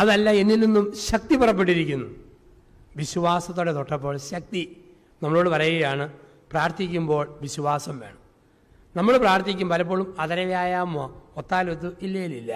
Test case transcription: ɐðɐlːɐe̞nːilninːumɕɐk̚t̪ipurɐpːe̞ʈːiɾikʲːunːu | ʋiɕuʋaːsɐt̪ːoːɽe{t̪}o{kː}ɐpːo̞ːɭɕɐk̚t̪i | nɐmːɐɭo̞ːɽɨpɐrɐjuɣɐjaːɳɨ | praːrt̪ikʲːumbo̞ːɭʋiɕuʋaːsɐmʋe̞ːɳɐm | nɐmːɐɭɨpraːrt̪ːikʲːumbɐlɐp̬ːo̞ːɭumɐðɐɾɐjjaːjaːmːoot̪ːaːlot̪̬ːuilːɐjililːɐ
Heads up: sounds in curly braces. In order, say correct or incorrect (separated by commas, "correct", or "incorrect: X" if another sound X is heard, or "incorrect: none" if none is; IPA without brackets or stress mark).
correct, incorrect: ʈː